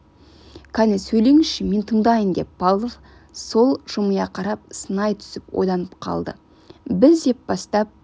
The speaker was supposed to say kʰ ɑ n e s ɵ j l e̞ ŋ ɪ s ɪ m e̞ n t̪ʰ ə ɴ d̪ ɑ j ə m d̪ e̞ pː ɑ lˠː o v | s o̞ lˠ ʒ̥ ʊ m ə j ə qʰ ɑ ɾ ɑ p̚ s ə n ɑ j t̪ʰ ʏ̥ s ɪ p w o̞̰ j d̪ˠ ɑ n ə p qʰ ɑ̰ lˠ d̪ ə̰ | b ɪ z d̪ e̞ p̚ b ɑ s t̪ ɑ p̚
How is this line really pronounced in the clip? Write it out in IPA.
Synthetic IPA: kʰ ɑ n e s ɵ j l e̞ ŋ ɪ ʃ ɪ m e̞ n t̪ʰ ə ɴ d̪ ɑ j ə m d̪ e̞ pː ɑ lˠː o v | s o̞ lˠ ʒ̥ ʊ m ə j ɑ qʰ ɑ ɾ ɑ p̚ s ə n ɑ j t̪ʰ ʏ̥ s ɪ p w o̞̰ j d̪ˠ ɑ n ə p qʰ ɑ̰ lˠ d̪ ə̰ | b ɪ z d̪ e̞ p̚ b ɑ s t̪ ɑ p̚